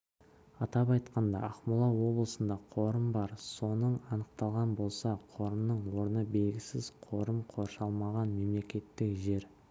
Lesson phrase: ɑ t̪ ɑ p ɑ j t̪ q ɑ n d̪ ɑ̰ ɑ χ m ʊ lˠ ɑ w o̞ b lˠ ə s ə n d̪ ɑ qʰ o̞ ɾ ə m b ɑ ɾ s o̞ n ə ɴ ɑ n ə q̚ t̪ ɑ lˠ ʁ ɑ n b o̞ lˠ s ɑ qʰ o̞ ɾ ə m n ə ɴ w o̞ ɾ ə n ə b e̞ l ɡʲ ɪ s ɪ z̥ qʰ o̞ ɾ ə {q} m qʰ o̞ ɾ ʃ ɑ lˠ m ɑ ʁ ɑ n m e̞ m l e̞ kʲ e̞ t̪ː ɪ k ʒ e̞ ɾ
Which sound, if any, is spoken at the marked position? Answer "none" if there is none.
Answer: none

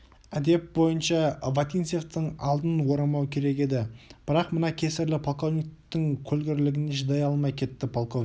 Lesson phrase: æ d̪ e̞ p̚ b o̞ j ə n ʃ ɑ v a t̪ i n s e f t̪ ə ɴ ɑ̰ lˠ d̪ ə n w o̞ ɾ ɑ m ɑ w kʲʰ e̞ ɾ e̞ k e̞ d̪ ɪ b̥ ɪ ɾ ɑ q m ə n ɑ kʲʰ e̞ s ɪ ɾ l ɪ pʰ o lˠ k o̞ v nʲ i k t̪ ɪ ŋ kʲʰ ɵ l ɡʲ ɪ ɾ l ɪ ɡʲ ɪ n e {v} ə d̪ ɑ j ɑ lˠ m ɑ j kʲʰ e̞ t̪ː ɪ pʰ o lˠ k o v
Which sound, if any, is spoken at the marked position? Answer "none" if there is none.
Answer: ʒ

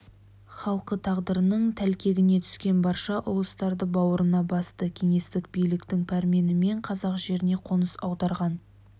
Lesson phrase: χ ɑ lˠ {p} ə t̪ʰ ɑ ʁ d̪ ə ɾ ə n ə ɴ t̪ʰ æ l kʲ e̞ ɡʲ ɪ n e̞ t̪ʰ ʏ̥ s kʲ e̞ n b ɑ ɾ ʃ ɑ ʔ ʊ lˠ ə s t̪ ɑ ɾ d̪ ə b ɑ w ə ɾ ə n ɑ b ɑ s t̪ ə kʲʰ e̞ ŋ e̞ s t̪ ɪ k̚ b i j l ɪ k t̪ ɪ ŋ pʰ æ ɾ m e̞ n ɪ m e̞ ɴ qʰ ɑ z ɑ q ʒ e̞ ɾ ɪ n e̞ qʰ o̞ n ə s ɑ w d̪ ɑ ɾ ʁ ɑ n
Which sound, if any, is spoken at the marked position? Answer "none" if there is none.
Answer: q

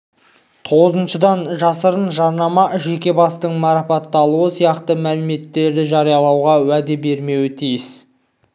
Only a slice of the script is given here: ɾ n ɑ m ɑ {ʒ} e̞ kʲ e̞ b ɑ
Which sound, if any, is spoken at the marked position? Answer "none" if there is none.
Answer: ʒ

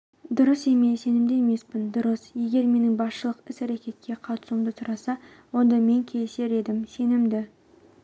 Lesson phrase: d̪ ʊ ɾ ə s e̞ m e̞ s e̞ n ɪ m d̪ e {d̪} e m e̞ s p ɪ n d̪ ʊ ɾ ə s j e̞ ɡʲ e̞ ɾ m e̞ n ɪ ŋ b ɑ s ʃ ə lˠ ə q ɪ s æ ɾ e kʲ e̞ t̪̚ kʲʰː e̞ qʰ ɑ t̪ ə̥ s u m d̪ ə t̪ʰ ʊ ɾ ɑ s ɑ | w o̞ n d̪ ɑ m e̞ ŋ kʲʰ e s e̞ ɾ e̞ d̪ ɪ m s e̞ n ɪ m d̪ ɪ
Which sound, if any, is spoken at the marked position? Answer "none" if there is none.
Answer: none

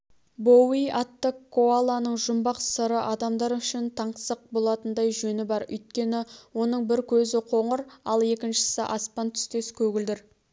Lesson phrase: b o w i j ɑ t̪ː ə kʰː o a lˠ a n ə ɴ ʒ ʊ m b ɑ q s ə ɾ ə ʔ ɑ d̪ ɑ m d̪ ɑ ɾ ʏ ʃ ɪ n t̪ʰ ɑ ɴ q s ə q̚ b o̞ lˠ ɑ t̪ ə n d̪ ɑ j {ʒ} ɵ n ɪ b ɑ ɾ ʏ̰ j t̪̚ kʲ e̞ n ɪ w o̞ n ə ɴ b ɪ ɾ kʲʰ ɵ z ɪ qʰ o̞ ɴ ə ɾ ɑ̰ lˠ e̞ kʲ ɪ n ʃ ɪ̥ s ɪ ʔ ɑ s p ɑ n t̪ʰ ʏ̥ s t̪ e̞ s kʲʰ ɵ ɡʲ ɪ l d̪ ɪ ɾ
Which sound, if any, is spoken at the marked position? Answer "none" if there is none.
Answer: ʒ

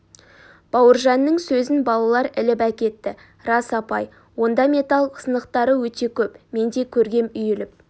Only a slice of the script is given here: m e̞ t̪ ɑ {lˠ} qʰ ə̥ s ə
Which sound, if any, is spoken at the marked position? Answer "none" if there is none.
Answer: lˠ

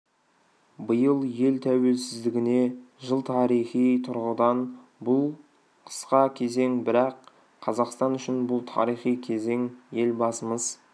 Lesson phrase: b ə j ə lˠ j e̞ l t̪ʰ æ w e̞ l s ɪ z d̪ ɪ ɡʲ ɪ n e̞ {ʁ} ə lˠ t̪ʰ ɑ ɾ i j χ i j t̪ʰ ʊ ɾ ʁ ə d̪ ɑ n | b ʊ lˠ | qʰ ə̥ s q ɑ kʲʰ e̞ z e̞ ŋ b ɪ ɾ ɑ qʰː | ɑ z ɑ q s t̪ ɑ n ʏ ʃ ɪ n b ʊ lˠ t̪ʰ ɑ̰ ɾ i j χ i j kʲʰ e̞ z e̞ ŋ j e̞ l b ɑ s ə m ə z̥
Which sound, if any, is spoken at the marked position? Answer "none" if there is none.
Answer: ʒ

